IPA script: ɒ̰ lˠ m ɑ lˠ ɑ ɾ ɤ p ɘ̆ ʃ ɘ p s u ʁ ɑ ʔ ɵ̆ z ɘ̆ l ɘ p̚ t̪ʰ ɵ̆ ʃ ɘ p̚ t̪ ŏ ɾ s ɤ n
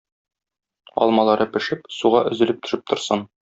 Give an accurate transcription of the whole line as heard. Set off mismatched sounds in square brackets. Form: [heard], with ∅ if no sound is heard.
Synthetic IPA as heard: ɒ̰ lˠ m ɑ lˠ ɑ ɾ ɤ p ɘ̆ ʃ ɘ p s u ʁ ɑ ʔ ɵ̆ z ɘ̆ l ɘ p̚ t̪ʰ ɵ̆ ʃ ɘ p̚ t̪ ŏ ɾ s ɤ n